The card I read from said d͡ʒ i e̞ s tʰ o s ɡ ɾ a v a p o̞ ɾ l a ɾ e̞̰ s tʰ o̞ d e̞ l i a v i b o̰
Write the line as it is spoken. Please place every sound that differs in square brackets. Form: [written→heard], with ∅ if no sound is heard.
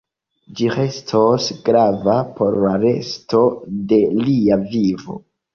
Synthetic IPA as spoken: d͡ʒ i e̞ s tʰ o s ɡ ɾ a v a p o̞ ɾ l a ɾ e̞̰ s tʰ o̞ d e̞ l i a v i [b→v] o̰